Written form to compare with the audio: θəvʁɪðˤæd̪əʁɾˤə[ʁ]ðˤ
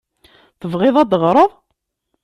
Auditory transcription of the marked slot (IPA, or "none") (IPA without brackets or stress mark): none